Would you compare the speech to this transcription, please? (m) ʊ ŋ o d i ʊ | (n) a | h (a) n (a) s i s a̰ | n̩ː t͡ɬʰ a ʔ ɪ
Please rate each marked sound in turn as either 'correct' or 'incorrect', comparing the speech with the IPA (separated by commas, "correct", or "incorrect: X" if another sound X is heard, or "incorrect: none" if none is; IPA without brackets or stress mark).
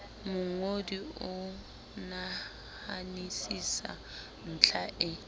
correct, correct, correct, incorrect: i